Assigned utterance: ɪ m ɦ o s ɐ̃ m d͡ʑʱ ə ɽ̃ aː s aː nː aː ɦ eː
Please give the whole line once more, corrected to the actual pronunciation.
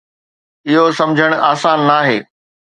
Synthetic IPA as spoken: ɪ ɦ o s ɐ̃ m d͡ʑʱ ə ɽ̃ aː s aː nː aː ɦ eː